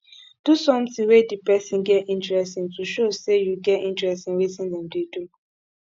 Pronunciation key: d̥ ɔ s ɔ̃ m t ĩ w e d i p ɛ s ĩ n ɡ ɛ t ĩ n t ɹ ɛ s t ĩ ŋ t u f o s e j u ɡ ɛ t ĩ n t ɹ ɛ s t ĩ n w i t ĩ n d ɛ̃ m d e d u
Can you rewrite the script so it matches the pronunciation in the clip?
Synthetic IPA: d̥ u s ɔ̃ m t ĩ w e d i p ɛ s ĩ n ɡ ɛ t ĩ n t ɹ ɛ s t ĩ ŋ t u ʃ o s e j u ɡ ɛ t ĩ n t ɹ ɛ s t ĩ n w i t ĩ n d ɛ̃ m d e d u